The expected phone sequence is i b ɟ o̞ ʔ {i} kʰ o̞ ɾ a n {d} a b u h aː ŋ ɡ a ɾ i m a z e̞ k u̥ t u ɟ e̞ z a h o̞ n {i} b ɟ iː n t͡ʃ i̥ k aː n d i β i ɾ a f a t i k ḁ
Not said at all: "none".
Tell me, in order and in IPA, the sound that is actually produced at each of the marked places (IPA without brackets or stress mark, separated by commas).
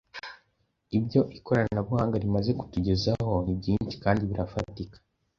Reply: i, n, i